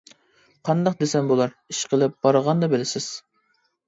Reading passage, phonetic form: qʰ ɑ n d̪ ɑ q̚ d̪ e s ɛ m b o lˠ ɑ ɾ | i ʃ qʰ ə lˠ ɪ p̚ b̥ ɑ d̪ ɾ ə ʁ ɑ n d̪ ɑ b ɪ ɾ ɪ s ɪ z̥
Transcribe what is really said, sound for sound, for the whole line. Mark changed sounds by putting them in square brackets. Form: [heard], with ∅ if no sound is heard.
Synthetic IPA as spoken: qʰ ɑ n d̪ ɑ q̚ d̪ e s ɛ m b o lˠ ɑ ɾ | i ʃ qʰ ə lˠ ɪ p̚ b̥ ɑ [∅] ɾ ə ʁ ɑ n d̪ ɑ b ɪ [l] ɪ s ɪ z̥